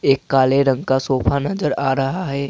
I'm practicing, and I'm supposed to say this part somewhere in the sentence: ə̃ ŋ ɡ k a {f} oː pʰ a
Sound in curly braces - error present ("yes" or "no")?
yes